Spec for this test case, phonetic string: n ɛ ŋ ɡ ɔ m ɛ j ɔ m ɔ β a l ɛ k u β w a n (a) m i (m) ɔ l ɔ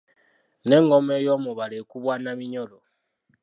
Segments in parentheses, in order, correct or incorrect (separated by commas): correct, incorrect